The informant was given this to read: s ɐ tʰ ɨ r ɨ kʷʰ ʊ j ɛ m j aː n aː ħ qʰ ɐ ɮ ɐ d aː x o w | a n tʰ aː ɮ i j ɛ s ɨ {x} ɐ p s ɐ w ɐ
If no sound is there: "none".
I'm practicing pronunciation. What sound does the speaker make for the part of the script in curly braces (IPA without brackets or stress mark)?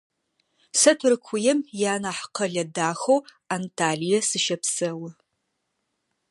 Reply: ʃ